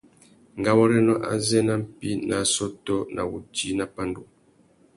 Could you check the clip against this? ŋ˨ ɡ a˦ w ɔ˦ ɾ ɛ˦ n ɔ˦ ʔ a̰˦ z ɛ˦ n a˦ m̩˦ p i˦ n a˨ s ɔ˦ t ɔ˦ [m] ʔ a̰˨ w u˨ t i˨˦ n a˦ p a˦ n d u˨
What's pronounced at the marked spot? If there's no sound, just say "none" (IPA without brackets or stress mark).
n